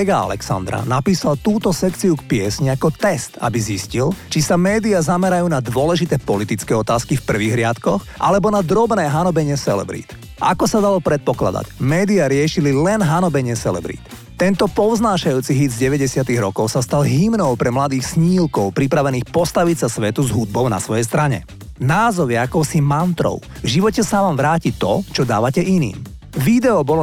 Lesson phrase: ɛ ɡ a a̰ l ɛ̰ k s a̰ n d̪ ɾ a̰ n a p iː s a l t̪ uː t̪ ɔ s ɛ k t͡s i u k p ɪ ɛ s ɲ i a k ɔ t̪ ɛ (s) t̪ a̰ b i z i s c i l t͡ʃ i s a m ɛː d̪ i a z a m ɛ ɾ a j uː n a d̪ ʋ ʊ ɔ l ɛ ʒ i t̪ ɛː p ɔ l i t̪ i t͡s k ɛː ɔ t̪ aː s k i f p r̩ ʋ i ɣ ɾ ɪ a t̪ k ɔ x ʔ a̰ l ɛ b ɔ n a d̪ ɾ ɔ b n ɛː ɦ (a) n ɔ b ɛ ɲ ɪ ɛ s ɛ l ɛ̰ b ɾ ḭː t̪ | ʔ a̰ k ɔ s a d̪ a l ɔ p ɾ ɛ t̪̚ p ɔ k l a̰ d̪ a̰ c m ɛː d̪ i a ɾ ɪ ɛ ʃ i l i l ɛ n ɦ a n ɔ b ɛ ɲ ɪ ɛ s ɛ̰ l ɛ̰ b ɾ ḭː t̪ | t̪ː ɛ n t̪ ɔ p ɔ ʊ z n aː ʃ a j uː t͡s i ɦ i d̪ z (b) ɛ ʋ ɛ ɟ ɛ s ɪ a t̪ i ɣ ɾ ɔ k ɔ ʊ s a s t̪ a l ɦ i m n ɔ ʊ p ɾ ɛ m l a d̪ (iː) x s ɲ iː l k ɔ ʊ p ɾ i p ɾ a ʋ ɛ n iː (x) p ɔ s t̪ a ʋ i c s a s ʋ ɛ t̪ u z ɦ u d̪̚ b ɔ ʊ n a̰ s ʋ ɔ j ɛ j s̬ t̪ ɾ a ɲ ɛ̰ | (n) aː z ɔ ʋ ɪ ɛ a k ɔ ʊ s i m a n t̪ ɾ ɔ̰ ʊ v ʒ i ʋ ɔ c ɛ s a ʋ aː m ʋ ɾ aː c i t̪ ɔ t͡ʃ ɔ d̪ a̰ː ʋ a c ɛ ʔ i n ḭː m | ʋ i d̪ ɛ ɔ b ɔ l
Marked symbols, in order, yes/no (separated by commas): yes, yes, no, yes, yes, yes